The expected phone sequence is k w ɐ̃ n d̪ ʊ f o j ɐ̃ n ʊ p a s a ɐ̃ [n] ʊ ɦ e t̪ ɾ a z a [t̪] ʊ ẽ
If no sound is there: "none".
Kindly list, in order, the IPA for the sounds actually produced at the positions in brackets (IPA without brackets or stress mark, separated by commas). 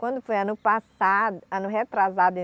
n, d̪